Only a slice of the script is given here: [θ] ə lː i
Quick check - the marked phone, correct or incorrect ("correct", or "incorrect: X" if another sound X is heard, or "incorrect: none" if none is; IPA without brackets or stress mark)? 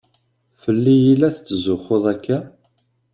incorrect: f